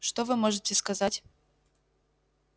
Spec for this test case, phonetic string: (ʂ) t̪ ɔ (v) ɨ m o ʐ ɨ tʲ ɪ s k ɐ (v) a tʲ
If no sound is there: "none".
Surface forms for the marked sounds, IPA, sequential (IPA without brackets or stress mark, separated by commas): ʂ, v, z